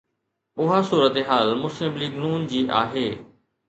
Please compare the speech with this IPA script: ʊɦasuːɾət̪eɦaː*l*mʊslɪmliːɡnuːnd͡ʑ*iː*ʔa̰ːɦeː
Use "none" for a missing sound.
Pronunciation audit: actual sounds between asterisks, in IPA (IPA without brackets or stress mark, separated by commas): l, iː